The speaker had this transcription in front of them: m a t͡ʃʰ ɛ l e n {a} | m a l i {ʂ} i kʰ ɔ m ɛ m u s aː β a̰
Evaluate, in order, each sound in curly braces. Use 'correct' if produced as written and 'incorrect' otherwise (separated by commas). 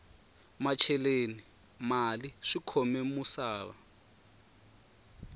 incorrect, correct